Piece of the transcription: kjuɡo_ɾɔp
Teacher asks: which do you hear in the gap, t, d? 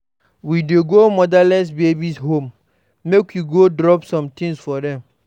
d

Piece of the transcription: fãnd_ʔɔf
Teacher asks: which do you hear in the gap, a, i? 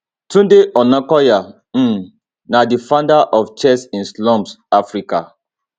a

